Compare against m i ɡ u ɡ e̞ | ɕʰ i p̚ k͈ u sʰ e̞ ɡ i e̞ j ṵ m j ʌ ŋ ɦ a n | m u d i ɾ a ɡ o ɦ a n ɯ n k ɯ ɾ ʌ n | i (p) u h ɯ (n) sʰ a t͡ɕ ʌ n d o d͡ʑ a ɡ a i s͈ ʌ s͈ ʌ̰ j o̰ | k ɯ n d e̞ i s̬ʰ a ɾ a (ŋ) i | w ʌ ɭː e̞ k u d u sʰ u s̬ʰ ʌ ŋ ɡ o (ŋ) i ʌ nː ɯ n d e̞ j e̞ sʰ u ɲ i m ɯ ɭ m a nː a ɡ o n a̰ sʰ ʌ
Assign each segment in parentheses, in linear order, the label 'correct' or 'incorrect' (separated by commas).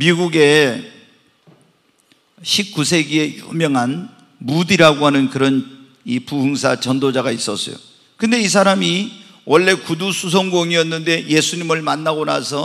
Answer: correct, incorrect, incorrect, correct